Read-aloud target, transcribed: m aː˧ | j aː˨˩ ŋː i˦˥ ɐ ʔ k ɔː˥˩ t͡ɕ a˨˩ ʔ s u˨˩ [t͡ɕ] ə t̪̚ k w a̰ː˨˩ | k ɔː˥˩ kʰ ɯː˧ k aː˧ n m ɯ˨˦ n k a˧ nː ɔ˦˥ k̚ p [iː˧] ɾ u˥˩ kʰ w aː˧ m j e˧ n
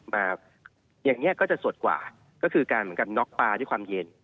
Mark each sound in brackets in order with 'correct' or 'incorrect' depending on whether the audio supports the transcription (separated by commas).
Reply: incorrect, incorrect